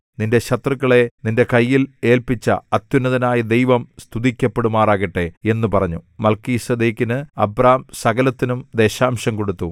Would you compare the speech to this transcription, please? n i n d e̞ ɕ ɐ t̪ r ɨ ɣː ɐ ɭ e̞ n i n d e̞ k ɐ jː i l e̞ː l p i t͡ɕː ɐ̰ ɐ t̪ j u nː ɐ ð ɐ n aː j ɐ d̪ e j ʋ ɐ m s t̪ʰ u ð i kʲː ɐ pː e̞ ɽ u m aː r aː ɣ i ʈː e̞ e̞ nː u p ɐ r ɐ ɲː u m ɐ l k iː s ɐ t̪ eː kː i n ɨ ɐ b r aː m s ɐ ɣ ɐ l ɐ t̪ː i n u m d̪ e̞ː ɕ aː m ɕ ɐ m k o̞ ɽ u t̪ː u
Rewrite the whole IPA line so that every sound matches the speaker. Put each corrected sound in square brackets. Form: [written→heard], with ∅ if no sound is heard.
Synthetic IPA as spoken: n i n d e̞ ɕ ɐ t̪ r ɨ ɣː ɐ ɭ e̞ n i n d e̞ k ɐ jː i l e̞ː l p i t͡ɕː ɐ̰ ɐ t̪ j u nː ɐ ð ɐ n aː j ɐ d̪ e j ʋ ɐ m s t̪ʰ u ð i kʲː ɐ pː e̞ ɽ u m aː r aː ɣ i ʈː e̞ e̞ nː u p ɐ r ɐ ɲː u m ɐ l k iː s ɐ [t̪→d̪] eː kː i n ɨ ɐ b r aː m s ɐ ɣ ɐ l ɐ t̪ː i n u m d̪ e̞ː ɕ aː m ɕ ɐ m k o̞ ɽ u t̪ː u